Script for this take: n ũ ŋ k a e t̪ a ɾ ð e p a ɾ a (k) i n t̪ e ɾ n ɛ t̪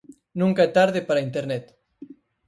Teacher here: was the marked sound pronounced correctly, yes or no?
no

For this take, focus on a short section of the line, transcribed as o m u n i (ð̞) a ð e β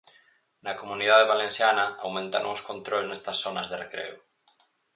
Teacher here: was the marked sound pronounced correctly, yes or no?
yes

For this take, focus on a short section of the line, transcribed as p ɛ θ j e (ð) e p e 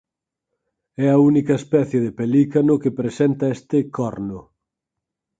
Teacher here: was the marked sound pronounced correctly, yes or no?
yes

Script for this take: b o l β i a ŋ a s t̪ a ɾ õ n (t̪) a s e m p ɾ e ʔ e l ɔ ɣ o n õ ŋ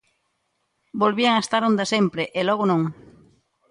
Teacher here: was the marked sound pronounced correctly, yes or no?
no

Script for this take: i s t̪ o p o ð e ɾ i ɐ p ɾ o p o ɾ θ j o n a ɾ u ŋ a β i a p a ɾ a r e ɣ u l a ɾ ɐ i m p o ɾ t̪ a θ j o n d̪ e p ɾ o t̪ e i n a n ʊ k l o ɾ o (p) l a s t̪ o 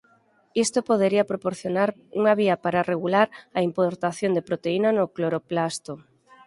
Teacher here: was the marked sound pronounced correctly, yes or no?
yes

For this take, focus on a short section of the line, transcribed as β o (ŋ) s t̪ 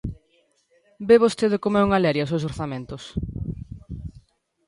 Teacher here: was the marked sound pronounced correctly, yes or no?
no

